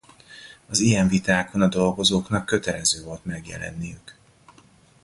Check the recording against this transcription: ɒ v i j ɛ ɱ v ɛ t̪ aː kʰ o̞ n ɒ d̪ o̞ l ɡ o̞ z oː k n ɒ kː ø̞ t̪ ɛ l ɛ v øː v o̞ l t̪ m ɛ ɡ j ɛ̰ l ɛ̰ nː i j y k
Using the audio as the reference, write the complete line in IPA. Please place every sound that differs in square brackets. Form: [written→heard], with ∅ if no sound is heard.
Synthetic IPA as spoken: ɒ [v→z] i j ɛ ɱ v [ɛ→i] t̪ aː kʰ o̞ n ɒ d̪ o̞ l ɡ o̞ z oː k n ɒ kː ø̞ t̪ ɛ l ɛ [v→z] øː v o̞ l t̪ m ɛ ɡ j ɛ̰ l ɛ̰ nː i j y k